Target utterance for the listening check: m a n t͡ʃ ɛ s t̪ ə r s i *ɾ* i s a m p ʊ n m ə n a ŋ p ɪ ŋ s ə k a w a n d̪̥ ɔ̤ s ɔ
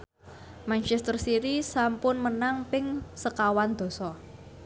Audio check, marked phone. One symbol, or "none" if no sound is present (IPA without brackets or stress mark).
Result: ɾ